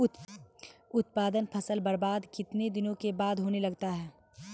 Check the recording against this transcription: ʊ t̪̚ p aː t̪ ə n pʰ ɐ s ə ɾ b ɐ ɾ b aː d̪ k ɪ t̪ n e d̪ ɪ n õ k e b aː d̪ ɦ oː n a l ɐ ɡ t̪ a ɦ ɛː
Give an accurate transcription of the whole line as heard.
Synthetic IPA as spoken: ʊ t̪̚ p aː d̪ ə n pʰ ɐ s ə l b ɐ ɾ b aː d̪ k ɪ t̪ n e d̪ ɪ n õ k e b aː d̪ ɦ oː n e l ɐ ɡ t̪ a ɦ ɛː